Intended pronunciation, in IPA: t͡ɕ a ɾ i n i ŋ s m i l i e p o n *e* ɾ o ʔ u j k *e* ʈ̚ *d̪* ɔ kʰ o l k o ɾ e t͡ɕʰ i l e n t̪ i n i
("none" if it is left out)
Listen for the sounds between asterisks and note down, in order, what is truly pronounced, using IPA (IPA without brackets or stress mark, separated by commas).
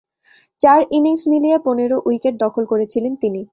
e, e, d̪